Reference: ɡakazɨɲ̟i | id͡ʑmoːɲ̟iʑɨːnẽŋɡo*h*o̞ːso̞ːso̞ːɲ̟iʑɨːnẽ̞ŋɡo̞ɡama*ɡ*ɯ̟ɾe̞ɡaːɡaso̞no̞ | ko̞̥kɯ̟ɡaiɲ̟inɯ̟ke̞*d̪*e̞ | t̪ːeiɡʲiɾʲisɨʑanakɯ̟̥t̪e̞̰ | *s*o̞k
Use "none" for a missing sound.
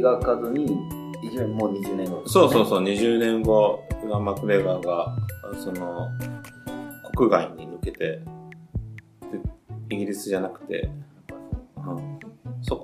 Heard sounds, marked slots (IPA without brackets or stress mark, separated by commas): s, k, t̪, s